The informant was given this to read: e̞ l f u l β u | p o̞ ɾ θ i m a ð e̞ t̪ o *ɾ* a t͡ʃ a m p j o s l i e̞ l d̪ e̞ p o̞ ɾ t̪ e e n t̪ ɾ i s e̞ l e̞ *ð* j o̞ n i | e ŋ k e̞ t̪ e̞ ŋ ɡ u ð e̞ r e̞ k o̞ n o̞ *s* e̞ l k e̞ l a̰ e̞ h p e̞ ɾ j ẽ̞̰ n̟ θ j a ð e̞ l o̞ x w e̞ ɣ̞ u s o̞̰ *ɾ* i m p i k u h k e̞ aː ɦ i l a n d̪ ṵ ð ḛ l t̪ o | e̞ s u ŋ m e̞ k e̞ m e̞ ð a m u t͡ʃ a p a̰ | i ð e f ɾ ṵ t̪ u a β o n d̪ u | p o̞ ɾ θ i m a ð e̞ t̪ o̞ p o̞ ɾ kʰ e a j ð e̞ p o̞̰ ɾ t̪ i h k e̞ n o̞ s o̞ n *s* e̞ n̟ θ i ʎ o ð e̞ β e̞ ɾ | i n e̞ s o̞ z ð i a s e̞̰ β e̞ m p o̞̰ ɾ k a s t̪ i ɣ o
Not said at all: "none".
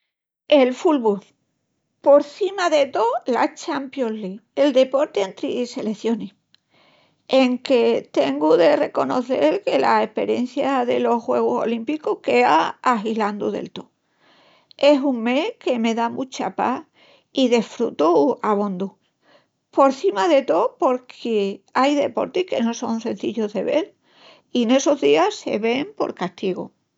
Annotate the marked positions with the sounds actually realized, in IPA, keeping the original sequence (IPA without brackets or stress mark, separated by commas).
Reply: l, θ, θ, l, s